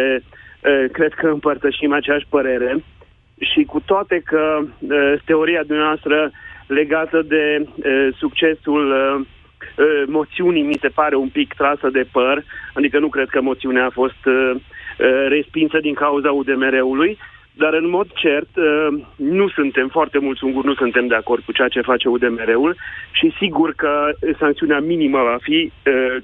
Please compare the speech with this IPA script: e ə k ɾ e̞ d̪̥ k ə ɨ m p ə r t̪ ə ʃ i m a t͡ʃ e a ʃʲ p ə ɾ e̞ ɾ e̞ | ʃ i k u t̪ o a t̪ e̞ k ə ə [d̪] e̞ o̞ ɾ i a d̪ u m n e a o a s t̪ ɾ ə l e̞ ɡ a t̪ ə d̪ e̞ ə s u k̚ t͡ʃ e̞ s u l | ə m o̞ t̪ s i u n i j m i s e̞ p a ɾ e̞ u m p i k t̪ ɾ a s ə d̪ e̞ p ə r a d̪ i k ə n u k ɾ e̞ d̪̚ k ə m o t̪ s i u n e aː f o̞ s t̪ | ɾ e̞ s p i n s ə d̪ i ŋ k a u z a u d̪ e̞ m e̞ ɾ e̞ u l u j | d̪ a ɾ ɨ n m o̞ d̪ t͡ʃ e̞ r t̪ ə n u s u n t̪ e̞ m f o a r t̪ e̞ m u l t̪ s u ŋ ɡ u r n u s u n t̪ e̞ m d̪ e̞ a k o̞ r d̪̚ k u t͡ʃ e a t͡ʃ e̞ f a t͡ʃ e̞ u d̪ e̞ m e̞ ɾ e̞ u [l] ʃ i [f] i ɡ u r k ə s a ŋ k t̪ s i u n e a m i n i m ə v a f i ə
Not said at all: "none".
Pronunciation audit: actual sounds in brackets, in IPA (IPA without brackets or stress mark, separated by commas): t̪, l, s